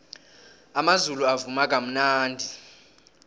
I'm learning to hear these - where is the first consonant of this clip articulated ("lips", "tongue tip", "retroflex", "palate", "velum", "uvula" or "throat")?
lips